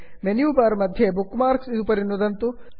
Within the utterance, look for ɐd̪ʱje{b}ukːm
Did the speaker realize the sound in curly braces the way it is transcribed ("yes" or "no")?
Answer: yes